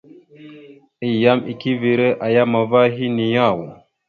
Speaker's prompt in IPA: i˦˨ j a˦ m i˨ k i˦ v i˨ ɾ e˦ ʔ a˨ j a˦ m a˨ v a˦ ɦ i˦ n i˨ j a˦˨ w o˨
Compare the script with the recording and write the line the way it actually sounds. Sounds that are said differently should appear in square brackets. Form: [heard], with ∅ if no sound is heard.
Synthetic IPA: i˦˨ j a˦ m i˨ k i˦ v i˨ ɾ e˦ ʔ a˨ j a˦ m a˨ v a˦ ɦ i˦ n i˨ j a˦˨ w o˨